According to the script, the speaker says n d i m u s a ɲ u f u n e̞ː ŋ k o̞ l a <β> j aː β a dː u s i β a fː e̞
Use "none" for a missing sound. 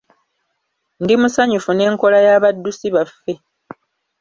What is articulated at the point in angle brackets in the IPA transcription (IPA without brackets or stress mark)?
none